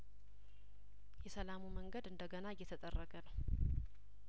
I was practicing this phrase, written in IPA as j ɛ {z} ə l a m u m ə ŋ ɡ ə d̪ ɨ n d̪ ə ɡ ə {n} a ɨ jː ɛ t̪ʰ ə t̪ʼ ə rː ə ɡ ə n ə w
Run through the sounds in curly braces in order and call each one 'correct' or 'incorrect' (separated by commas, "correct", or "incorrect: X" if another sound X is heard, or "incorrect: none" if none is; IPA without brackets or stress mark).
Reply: incorrect: s, correct